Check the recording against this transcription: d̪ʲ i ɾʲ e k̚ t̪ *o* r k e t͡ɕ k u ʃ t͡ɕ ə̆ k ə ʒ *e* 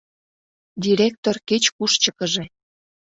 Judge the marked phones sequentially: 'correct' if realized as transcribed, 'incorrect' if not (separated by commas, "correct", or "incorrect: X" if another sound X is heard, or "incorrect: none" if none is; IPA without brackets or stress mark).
correct, correct